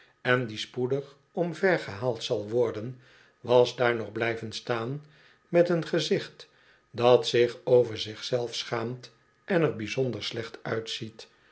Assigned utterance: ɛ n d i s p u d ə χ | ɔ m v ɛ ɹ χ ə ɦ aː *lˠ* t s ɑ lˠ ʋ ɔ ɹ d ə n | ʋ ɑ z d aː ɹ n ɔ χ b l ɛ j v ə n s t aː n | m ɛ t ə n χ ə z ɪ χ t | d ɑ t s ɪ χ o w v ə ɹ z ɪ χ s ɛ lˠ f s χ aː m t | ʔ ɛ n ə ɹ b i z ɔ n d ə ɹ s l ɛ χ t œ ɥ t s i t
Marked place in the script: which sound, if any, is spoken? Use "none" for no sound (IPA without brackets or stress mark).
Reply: lˠ